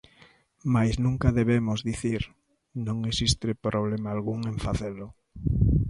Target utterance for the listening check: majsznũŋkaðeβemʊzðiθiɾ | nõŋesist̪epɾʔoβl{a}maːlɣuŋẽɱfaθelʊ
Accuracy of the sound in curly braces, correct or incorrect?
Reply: incorrect